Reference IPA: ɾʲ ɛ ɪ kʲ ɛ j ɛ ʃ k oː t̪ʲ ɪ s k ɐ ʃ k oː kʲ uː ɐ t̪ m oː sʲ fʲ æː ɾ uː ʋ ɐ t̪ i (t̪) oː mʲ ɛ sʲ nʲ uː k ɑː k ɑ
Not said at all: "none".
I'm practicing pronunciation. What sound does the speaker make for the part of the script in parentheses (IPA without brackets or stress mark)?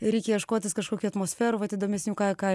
d̪